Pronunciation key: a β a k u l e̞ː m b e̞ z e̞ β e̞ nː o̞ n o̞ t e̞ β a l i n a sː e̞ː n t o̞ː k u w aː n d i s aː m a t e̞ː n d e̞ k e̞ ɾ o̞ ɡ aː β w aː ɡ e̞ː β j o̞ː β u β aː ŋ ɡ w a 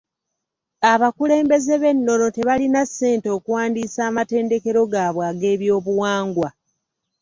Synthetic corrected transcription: a β a k u l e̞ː m b e̞ z e̞ β e̞ nː o̞ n o̞ t e̞ β a l i n a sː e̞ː n t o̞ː k u w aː n d i s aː m a t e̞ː n d e̞ k e̞ ɾ o̞ ɡ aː β w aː ɡ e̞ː β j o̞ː β u w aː ŋ ɡ w a